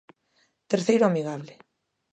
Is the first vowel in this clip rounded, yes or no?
no